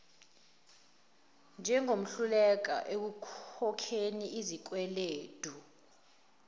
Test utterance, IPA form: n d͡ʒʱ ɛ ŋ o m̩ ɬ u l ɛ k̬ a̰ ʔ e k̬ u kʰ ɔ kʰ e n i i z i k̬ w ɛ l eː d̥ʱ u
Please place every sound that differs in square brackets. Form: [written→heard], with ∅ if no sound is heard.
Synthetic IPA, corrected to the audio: n d͡ʒʱ ɛ ŋ o m̩ ɬ u l ɛ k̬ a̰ ʔ e k̬ u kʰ ɔ kʰ e n i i z i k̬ w ɛ l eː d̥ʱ u